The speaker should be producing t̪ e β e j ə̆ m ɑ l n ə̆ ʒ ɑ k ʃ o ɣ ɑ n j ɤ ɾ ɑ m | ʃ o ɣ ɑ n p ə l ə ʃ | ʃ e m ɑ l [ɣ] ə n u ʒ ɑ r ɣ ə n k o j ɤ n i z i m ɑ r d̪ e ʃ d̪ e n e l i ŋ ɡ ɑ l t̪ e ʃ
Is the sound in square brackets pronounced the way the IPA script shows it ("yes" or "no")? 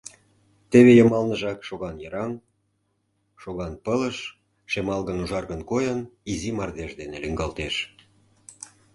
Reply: yes